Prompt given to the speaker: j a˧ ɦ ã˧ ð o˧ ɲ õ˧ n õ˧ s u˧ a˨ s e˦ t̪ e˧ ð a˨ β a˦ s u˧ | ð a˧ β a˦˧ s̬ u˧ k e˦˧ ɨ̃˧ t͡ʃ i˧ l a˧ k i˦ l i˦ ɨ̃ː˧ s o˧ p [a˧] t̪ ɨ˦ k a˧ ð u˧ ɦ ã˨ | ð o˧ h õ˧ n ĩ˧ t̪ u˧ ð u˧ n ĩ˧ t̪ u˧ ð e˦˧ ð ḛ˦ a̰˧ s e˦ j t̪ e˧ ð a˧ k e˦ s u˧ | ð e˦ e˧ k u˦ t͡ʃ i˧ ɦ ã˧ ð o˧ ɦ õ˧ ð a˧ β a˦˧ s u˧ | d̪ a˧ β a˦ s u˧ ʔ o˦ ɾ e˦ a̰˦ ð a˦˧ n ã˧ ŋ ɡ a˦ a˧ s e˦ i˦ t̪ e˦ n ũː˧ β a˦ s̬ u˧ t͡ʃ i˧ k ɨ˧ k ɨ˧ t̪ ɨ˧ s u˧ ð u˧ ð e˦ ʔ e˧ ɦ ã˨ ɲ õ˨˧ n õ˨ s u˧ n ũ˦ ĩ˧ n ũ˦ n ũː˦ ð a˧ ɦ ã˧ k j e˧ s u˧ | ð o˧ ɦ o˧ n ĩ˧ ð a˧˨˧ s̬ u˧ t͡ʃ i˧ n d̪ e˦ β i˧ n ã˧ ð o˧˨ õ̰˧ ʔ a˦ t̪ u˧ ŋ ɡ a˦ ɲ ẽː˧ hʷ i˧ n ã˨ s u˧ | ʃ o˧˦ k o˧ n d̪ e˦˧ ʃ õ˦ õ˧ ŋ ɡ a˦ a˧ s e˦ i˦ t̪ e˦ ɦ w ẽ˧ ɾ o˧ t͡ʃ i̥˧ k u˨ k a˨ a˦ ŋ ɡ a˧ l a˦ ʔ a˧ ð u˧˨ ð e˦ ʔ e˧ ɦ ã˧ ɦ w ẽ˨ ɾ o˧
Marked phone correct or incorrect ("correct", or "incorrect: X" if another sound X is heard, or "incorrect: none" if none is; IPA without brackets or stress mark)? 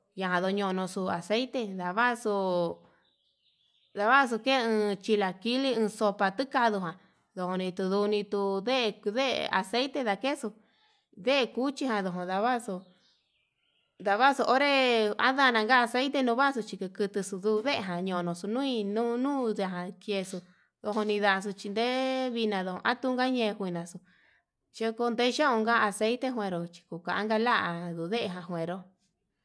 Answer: correct